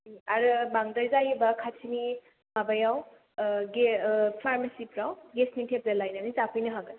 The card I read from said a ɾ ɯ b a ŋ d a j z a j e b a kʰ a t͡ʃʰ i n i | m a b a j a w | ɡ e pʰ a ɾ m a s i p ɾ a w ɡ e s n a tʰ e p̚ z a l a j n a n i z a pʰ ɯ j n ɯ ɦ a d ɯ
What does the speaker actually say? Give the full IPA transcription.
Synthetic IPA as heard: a ɾ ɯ b a ŋ d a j z a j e b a kʰ a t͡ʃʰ i n i | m a b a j a w | ɡ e pʰ a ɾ m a s i p ɾ a w ɡ e s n i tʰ e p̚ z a l a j n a n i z a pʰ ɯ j n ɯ ɦ a ɡ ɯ